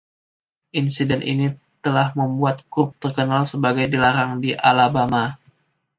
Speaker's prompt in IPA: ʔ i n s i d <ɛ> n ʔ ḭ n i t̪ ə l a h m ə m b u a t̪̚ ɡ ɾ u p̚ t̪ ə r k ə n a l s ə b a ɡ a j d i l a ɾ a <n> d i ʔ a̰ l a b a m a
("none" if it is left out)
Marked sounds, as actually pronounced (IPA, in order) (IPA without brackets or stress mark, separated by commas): ɛ, ŋ